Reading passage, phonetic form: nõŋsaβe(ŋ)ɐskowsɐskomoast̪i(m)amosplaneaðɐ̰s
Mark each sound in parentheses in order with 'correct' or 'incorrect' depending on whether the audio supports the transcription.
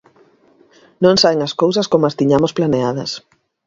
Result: correct, incorrect: ɲ

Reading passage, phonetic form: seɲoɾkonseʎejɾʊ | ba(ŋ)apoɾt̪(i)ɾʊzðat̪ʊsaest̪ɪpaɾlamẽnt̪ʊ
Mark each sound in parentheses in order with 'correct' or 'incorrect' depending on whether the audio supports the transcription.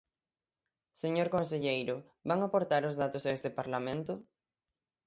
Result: correct, incorrect: a

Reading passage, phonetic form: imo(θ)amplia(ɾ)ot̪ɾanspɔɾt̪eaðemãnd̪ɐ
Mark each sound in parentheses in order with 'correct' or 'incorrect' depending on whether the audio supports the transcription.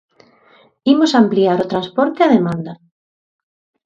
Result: incorrect: s, correct

